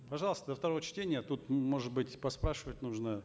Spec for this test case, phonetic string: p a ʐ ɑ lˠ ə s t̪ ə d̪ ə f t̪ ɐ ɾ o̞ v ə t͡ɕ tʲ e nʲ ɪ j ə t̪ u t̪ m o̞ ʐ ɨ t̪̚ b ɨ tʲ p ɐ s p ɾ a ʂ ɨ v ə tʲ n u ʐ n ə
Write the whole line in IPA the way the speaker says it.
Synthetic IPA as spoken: p ɐ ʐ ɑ lˠ ə s t̪ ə d̪ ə f t̪ ɐ ɾ o̞ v ə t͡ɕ tʲ e nʲ ɪ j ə t̪ u t̪ m o̞ ʐ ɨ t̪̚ b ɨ tʲ p ɐ s p ɾ a ʂ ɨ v ə tʲ n u ʐ n ə